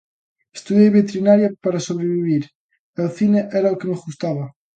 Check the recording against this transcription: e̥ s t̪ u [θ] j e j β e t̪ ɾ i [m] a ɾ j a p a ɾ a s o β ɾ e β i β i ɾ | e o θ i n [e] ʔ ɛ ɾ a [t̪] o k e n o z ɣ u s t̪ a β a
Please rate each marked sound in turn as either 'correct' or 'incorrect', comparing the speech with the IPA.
incorrect, incorrect, correct, incorrect

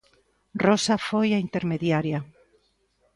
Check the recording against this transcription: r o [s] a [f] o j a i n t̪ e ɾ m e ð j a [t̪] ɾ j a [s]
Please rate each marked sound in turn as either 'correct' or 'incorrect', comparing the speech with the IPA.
correct, correct, incorrect, incorrect

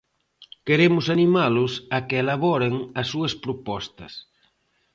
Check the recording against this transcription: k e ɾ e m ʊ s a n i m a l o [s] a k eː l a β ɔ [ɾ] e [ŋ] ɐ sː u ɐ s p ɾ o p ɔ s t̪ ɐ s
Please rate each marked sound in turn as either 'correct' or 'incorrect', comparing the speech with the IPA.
correct, correct, correct

